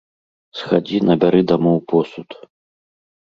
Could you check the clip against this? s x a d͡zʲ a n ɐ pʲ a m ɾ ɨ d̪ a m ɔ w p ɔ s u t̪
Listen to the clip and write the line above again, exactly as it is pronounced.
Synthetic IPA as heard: s x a d͡zʲ i n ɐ bʲ a ɾ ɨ d̪ a m ɔ w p ɔ s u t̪